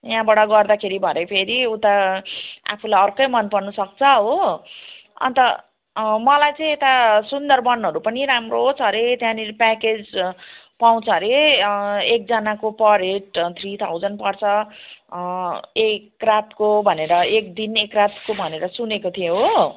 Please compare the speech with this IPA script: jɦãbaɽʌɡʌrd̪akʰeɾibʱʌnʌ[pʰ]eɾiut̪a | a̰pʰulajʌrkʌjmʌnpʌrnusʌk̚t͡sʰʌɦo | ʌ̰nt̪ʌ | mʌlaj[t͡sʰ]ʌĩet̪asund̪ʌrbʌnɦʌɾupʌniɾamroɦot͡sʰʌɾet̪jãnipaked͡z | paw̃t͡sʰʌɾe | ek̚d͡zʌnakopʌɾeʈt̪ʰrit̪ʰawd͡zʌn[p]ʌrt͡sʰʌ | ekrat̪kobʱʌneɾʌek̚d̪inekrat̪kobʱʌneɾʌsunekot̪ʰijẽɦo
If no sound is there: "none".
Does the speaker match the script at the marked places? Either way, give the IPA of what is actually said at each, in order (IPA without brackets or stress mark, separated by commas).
pʰ, t͡s, p